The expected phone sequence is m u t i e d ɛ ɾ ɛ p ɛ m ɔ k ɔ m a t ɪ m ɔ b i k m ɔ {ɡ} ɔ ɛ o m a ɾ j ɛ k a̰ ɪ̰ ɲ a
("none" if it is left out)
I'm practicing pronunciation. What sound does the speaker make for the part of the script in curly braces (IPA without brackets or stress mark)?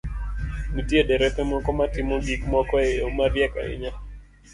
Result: k